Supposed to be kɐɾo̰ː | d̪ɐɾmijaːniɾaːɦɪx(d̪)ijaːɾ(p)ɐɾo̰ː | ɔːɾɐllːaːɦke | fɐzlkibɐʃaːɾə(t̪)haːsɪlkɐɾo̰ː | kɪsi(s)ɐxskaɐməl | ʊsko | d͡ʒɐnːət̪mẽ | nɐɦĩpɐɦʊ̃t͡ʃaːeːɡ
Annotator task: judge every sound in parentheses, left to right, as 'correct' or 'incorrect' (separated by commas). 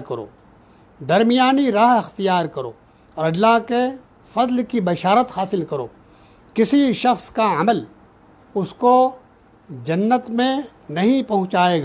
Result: incorrect, incorrect, correct, incorrect